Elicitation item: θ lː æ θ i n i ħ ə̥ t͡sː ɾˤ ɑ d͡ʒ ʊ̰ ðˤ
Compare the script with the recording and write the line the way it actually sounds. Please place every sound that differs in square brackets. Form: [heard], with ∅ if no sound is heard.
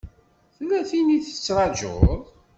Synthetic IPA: θ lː æ θ i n i [θ] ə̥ t͡sː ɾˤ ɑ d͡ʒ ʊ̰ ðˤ